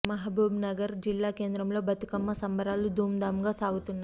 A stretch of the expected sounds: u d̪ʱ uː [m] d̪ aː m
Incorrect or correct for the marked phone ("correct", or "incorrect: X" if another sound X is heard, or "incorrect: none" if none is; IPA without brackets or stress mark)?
correct